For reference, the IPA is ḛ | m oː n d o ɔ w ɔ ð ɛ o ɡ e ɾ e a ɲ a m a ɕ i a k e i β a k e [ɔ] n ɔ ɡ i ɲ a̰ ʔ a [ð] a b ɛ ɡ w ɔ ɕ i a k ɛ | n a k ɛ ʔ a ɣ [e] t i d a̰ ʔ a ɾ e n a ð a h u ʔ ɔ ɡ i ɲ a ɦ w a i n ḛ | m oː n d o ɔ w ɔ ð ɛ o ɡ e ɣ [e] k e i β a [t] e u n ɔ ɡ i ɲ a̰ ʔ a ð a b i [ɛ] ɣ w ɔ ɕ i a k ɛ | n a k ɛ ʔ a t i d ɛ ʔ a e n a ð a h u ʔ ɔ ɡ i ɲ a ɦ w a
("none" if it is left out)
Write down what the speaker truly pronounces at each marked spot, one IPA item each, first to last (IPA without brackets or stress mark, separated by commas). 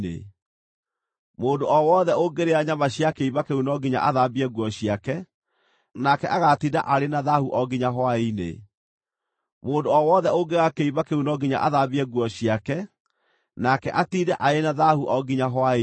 u, ð, a, a, k, ɛ